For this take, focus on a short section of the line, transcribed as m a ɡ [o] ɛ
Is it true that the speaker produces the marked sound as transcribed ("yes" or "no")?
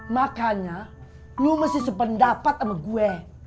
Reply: no